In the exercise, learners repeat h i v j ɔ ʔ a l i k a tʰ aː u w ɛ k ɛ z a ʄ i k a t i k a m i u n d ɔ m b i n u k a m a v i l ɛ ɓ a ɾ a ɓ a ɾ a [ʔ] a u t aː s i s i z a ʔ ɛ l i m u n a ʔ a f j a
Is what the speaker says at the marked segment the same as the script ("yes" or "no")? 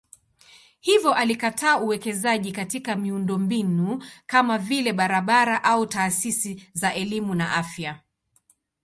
yes